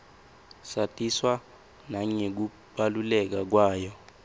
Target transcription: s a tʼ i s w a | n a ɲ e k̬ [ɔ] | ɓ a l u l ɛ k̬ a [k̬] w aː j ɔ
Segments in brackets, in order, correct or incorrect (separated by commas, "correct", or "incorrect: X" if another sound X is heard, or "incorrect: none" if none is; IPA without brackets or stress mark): incorrect: u, correct